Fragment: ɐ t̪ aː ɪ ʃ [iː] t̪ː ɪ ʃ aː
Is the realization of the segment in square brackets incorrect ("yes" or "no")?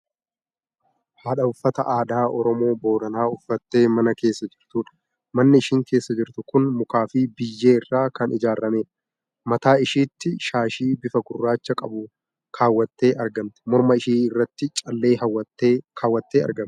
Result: no